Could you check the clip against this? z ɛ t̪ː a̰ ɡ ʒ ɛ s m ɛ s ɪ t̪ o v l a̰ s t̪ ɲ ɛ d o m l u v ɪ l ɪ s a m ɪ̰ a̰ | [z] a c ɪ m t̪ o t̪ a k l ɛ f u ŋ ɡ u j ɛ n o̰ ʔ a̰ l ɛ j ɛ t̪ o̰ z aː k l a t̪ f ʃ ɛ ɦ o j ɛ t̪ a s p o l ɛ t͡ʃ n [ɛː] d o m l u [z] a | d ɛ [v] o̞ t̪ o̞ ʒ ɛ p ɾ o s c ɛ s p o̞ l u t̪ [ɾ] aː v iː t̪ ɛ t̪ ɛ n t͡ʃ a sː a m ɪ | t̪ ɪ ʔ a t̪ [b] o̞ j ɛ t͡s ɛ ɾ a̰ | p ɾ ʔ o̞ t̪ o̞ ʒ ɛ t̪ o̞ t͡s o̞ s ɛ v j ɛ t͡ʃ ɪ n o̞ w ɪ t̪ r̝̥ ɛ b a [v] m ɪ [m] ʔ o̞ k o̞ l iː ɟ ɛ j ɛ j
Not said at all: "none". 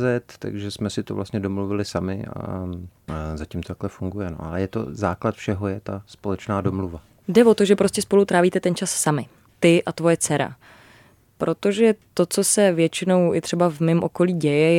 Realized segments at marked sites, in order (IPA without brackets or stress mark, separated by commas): z, aː, v, v, ɾ, v, v, m